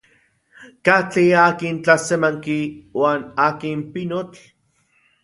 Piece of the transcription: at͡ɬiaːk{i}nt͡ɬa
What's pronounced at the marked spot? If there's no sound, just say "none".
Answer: i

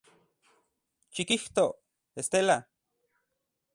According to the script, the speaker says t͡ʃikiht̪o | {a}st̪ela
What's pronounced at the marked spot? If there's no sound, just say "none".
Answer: e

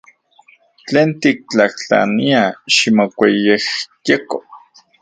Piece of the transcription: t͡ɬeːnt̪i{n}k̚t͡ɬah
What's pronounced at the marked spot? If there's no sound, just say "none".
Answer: none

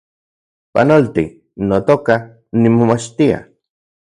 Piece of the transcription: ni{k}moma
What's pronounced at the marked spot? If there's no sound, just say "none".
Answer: none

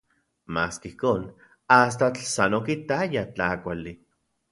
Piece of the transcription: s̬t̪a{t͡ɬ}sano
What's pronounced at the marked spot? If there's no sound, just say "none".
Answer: t͡ɬ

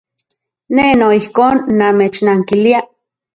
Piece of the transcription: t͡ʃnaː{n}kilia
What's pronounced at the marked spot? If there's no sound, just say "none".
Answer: ŋ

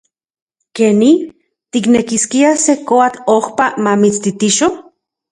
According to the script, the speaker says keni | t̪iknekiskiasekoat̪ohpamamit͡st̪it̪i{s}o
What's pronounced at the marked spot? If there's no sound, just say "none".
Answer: ʃ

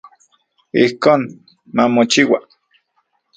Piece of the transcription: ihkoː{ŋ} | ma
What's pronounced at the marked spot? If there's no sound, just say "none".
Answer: n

